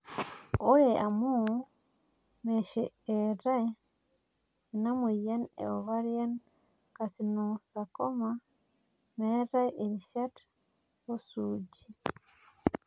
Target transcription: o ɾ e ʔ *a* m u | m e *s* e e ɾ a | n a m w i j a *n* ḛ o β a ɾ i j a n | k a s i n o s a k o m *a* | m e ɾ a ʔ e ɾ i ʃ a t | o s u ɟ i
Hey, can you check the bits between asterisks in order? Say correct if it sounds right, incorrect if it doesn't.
correct, incorrect, correct, correct

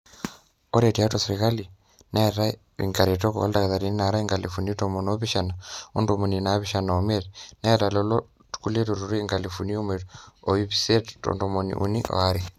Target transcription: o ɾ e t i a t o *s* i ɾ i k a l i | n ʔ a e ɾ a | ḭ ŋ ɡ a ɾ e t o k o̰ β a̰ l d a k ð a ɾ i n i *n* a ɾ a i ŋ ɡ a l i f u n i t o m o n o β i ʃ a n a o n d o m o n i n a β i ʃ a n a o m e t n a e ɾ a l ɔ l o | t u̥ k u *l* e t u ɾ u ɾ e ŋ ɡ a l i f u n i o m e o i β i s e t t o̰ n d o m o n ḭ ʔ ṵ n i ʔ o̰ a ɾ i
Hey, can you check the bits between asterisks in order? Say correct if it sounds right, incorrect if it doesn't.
correct, correct, correct

